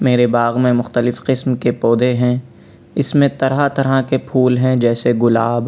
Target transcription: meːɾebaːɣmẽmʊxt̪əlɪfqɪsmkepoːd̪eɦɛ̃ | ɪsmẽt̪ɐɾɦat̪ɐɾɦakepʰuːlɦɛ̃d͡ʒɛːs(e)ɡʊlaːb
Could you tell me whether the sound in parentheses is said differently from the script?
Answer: no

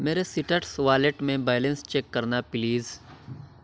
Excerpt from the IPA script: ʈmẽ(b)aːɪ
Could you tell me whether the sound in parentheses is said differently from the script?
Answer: no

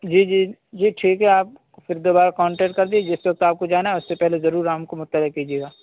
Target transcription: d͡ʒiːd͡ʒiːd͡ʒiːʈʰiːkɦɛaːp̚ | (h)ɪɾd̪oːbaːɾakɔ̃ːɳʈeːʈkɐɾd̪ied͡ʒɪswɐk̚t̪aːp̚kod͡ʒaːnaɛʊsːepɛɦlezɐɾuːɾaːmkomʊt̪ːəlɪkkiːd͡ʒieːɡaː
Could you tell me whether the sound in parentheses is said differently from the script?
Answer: yes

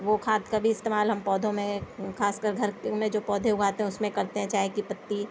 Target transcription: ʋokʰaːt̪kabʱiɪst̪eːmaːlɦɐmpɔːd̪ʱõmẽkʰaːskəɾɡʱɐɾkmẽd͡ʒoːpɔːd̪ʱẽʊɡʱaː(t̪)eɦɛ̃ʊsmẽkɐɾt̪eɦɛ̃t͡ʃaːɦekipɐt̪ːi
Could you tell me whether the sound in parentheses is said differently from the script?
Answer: no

